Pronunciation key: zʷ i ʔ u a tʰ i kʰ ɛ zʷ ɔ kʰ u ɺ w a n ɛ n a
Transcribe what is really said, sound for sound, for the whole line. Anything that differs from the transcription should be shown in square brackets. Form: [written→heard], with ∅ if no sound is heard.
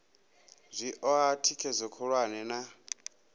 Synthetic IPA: zʷ i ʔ [u→ɔ] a tʰ i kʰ ɛ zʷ ɔ kʰ [u→ɔ] ɺ w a n ɛ n a